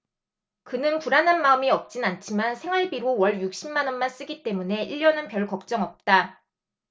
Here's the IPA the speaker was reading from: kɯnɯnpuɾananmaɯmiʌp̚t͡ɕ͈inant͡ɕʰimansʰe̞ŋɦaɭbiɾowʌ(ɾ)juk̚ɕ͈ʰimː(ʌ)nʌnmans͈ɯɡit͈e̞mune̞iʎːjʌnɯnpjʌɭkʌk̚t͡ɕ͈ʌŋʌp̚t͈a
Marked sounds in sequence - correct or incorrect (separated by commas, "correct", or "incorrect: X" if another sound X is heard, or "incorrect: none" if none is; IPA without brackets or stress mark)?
incorrect: ɭ, incorrect: a